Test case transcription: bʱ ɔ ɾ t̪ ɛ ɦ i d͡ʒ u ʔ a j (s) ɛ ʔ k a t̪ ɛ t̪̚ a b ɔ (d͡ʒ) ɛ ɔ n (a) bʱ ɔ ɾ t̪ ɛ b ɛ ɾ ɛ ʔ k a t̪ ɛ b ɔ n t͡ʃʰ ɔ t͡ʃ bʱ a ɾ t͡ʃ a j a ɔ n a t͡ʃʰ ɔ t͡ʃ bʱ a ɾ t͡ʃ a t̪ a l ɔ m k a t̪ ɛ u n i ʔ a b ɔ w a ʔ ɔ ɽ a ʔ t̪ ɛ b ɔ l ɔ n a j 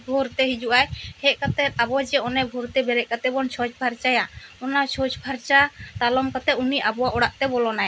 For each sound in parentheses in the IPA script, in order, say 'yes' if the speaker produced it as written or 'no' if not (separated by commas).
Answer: no, yes, no